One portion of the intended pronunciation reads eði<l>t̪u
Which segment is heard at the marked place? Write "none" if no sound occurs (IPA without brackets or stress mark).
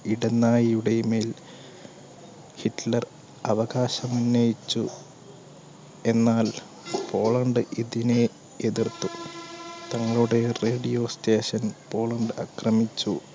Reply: r